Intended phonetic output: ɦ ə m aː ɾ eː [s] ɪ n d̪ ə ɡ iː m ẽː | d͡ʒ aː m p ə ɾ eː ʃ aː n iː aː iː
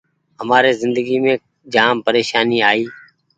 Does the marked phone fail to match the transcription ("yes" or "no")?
yes